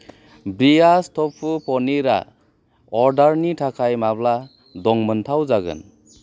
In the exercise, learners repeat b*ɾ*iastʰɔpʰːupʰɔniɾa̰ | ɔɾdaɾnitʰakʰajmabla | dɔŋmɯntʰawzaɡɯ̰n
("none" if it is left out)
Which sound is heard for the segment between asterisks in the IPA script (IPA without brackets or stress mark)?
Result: ɾ